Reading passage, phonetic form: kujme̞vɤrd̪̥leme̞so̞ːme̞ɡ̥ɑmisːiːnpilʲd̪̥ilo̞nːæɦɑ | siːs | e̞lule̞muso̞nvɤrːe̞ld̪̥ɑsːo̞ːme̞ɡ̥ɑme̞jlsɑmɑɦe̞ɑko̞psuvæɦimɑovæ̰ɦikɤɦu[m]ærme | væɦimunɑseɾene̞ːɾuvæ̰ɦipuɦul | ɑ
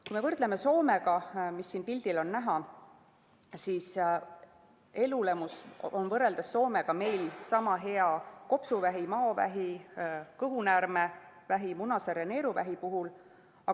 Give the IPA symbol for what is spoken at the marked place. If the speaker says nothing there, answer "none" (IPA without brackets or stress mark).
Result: n